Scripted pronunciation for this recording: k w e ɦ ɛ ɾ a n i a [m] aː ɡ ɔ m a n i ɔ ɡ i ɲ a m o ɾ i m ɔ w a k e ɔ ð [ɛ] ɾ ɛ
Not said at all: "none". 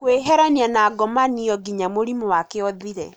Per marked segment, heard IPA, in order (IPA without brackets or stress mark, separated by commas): n, i